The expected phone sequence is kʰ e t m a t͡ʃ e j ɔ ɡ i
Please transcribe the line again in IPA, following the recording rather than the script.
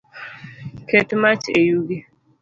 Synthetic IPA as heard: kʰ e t m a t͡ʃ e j u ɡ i

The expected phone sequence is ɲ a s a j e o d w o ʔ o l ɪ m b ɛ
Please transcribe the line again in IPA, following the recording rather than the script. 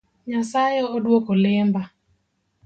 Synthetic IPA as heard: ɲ a s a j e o d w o k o l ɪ m b a

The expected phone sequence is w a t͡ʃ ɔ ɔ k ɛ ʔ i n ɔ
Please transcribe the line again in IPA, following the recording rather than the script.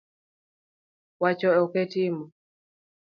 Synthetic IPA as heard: w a t͡ʃ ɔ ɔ k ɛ t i m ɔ

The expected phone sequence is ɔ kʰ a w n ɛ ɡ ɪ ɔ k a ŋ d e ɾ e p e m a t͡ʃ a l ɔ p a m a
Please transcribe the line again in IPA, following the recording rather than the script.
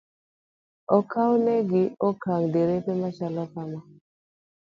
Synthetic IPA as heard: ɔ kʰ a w n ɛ ɡ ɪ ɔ k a ŋ d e ɾ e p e m a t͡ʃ a l ɔ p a m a

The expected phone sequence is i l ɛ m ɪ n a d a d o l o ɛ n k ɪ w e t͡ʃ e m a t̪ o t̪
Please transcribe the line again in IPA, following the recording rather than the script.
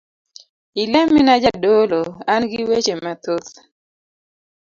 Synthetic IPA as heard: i l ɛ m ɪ n a d͡ʒ a d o l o a n ɡ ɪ w e t͡ʃ e m a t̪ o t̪

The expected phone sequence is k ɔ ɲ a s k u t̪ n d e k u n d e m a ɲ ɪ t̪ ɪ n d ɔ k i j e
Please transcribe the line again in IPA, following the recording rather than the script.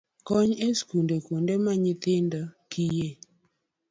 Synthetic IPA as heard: k ɔ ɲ e s k u n d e k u n d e m a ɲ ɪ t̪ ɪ n d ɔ k i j e

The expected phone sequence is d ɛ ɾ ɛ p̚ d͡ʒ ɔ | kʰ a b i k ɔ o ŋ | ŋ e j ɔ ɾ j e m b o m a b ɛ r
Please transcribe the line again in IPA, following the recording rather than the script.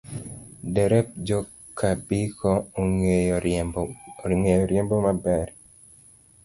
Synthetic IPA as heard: d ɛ ɾ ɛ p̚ d͡ʒ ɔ | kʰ a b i k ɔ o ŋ | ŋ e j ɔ ɾ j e m b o m a b ɛ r

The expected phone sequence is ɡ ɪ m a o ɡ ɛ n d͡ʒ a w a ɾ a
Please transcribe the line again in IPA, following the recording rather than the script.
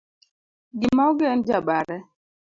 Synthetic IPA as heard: ɡ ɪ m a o ɡ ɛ n d͡ʒ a b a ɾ ɛ

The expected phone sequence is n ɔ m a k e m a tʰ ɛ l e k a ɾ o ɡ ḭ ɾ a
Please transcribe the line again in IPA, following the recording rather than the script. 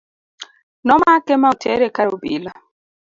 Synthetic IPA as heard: n ɔ m a k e m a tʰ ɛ ɾ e k a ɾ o b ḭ l a

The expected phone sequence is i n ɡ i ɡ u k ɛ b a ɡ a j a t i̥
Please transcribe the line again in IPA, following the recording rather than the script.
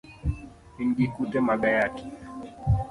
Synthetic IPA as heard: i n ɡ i k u t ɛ m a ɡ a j a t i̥

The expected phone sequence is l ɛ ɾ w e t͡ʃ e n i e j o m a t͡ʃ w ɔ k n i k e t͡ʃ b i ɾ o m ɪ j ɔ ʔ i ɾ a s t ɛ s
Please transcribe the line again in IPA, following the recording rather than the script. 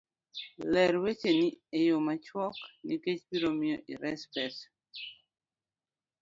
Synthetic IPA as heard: l ɛ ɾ w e t͡ʃ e n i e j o m a t͡ʃ w ɔ k n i k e t͡ʃ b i ɾ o m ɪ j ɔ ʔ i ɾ ɛ s p ɛ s

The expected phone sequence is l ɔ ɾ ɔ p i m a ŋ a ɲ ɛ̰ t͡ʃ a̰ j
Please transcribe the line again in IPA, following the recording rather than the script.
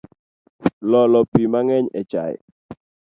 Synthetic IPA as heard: l ɔ l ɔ p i m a ŋ ɛ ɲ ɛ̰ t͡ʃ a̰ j

